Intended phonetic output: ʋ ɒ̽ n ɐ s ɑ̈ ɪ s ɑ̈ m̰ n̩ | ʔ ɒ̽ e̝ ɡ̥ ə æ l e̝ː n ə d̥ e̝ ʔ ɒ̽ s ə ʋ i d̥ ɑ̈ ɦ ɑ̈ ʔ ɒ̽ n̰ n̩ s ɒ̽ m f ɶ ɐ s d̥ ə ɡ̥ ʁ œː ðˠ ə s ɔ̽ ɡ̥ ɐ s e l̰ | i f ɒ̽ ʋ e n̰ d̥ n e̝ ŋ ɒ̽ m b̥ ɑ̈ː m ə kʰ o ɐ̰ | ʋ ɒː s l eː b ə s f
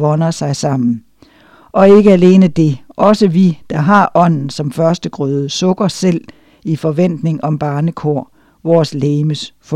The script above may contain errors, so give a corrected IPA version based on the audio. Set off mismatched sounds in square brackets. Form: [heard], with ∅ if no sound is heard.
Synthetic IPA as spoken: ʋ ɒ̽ n ɐ s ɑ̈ ɪ s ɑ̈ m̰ n̩ | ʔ ɒ̽ e̝ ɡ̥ ə æ l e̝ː n ə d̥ e̝ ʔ ɒ̽ s ə ʋ i d̥ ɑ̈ ɦ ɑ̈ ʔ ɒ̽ n̰ n̩ s ɒ̽ m f ɶ ɐ s d̥ ə ɡ̥ ʁ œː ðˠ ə s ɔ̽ ɡ̥ ɐ s e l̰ | i f ɒ̽ ʋ e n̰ d̥ n e̝ ŋ ɒ̽ m b̥ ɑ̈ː [n] ə kʰ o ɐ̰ | ʋ ɒː s l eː [m] ə s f